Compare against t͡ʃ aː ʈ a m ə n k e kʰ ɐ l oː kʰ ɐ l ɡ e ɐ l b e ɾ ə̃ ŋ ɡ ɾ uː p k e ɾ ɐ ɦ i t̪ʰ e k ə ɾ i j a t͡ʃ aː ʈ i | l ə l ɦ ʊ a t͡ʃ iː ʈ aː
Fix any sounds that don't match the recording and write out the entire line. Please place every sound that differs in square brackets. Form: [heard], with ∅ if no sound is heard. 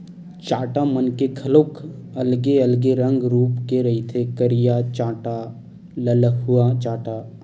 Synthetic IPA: t͡ʃ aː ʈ a m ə n k e kʰ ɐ l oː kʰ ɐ l ɡ e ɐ l [ɡ] e ɾ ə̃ ŋ ɡ ɾ uː p k e ɾ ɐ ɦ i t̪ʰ e k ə ɾ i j a t͡ʃ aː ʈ [a] | l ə l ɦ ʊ a t͡ʃ [aː] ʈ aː